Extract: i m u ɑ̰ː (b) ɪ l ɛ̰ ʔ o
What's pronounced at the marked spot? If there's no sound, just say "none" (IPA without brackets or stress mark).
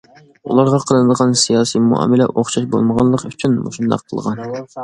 m